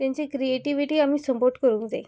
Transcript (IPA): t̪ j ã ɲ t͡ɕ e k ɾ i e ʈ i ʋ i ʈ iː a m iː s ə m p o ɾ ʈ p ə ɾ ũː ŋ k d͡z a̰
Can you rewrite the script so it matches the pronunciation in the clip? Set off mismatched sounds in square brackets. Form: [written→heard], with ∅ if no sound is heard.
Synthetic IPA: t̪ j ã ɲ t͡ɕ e k ɾ i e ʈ i ʋ i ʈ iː a m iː s ə m p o ɾ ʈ [p→k] ə ɾ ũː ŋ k d͡z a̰